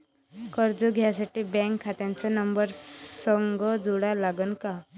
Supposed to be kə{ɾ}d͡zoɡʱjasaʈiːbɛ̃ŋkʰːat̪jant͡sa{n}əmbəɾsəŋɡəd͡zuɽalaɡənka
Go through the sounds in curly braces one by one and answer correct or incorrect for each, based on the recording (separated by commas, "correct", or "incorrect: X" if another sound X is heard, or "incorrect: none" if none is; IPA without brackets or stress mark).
correct, correct